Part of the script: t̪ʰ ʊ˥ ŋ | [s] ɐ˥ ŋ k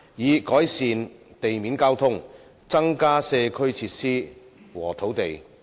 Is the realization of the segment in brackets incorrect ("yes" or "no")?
yes